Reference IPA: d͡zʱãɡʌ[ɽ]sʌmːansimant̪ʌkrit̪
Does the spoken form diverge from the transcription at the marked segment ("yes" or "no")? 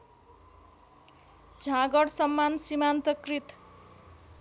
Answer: no